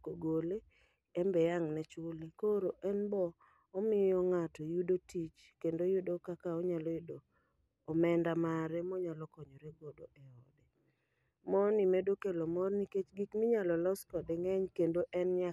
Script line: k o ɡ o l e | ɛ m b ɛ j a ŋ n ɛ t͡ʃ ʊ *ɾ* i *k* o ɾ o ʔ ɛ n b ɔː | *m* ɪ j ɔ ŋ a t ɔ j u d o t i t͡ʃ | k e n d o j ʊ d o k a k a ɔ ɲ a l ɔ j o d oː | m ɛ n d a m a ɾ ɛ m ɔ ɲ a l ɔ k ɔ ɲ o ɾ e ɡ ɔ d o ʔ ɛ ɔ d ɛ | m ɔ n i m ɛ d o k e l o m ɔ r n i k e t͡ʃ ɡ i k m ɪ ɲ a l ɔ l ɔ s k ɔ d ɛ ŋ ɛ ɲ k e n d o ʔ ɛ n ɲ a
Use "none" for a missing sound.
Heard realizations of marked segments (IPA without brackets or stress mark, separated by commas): l, k, m